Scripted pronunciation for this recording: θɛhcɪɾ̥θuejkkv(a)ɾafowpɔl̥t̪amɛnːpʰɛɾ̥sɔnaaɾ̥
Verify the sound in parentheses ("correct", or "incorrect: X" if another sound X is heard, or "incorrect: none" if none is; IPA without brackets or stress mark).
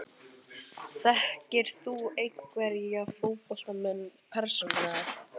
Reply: incorrect: ɛ